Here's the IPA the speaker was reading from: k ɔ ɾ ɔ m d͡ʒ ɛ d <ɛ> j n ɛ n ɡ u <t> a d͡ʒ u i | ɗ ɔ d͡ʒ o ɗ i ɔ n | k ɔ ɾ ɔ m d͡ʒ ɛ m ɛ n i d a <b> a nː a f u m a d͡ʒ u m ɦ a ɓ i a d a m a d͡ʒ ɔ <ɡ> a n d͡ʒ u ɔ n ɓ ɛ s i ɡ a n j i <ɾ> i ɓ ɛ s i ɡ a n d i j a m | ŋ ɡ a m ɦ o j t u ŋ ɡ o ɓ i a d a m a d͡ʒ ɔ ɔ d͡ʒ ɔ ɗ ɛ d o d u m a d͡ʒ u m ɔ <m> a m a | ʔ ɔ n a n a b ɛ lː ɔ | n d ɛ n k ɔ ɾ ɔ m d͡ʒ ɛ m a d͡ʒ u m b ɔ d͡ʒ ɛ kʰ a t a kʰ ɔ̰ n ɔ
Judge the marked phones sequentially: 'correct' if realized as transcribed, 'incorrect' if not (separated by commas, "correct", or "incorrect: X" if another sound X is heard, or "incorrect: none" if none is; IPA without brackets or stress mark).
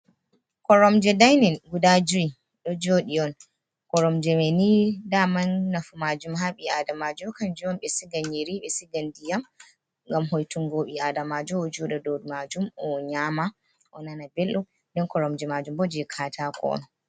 incorrect: a, incorrect: d, incorrect: m, incorrect: k, correct, incorrect: ɲ